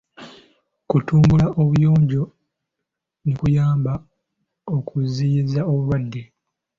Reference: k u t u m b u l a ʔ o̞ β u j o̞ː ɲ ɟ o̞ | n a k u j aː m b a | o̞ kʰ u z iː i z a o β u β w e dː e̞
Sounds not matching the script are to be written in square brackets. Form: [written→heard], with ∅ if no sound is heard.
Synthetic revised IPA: k u t [u→uː] m b u l a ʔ o̞ β u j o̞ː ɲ ɟ o̞ | n [a→i] k u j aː m b a | o̞ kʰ u z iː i z a o β u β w [e→a] dː e̞